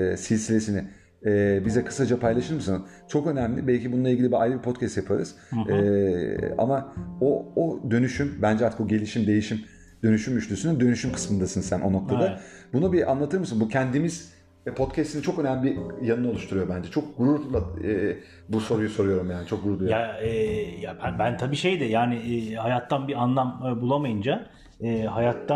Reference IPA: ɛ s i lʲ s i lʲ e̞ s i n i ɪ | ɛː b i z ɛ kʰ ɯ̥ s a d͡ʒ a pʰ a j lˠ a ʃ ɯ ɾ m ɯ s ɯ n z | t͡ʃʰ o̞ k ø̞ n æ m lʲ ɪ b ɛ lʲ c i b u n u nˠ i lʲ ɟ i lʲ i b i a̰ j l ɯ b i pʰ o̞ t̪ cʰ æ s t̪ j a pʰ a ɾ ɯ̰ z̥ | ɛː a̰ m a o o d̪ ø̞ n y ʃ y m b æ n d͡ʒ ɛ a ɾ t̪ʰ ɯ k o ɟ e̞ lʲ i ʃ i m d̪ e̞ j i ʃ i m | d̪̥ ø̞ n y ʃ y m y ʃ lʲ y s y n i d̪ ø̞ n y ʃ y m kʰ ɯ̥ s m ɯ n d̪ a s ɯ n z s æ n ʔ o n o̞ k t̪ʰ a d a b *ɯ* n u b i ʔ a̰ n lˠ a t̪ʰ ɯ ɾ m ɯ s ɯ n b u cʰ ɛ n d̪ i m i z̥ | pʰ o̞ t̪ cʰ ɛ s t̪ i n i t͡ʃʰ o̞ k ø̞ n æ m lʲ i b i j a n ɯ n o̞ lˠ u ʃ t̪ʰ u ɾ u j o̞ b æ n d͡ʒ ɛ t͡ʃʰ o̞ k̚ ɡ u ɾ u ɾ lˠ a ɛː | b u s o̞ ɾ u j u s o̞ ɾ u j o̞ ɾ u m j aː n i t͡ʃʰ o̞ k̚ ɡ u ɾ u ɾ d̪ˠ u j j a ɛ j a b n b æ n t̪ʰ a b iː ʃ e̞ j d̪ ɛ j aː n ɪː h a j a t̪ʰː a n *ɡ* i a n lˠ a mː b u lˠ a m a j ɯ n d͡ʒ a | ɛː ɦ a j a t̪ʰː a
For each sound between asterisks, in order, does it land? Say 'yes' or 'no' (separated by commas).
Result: no, no